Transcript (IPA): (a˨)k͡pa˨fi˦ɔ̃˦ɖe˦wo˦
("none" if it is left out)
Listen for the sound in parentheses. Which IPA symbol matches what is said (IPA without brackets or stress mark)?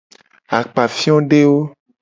a˨